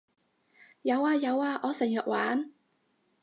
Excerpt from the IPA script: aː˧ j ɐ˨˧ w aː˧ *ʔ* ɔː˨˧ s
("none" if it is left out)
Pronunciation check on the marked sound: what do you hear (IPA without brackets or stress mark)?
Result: ʔ